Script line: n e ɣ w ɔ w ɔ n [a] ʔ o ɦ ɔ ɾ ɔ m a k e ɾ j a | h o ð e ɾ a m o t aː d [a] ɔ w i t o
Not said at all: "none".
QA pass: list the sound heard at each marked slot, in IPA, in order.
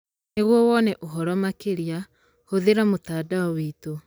ɛ, a

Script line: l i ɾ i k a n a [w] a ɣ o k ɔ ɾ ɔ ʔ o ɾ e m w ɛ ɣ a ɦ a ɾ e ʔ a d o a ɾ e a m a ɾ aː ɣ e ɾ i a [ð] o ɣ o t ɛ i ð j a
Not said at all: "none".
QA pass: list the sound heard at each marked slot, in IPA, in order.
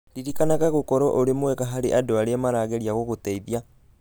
ɣ, ɣ

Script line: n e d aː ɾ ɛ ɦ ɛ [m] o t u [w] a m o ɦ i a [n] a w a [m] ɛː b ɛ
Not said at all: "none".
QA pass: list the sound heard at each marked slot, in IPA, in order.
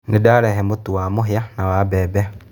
m, w, n, b

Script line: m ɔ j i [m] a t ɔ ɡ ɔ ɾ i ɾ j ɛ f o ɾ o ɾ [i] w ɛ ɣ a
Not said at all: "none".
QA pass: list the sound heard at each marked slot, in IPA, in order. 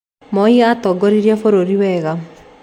none, i

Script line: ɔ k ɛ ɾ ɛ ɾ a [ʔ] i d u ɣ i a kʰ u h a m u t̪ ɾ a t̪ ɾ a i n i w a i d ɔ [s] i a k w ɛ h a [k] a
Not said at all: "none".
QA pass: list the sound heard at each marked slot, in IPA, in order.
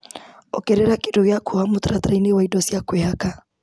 k, s, k

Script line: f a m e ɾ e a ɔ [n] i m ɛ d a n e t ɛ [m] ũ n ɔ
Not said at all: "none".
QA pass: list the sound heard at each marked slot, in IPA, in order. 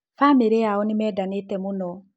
n, m

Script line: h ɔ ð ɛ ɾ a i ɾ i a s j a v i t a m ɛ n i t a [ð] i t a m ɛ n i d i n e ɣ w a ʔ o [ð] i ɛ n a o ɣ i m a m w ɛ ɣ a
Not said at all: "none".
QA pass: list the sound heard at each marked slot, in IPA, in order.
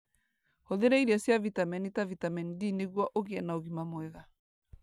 v, ɣ

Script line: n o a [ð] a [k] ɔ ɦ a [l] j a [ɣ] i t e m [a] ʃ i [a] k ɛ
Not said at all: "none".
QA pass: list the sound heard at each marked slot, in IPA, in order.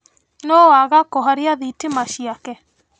ɣ, k, ɾ, ð, a, a

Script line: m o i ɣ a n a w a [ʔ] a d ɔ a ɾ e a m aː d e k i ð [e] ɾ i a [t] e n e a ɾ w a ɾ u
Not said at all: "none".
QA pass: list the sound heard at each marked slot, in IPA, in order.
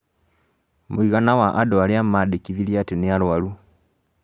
ʔ, i, t

